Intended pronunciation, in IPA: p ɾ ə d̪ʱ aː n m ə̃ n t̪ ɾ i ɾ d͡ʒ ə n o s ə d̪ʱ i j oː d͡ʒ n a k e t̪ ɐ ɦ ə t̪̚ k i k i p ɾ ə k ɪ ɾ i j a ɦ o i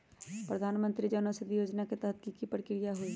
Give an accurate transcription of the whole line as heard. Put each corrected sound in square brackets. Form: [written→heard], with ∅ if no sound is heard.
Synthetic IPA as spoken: p ɾ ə d̪ʱ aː n m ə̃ n t̪ ɾ i [ɾ→∅] d͡ʒ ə n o s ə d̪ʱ i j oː d͡ʒ n a k e t̪ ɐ ɦ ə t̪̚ k i k i p ɾ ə k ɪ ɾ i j a ɦ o i